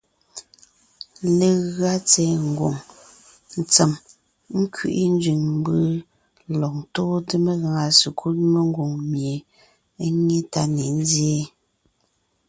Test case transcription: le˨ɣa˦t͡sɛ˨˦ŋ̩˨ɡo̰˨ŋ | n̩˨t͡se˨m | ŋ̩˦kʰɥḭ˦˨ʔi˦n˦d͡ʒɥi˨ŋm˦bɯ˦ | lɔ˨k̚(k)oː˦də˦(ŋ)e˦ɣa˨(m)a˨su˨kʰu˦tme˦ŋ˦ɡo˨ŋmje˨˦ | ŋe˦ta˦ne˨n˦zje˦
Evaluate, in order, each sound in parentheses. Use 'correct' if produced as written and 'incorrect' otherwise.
incorrect, incorrect, incorrect

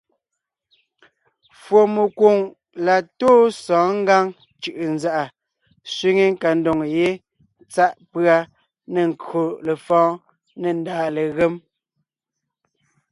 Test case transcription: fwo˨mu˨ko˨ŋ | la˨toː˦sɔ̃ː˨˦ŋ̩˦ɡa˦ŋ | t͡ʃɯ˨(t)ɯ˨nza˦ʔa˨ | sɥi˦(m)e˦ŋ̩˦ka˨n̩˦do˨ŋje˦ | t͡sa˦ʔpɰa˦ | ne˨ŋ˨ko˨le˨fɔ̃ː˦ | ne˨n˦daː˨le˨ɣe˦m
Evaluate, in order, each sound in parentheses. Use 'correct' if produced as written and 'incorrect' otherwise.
incorrect, incorrect

